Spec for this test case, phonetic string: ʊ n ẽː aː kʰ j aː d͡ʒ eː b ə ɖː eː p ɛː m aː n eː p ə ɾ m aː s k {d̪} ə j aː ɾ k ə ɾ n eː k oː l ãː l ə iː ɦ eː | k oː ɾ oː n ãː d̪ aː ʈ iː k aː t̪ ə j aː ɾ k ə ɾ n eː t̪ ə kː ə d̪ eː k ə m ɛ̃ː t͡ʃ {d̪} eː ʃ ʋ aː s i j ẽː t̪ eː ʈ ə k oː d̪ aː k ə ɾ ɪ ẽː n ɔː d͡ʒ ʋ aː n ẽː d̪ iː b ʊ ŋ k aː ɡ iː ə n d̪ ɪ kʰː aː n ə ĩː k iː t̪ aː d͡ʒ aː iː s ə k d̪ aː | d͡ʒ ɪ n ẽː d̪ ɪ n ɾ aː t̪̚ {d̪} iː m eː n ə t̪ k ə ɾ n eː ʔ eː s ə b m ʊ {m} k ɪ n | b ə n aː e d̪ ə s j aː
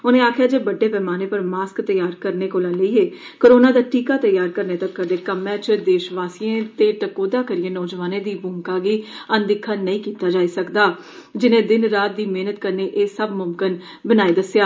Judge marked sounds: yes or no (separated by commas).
no, yes, yes, yes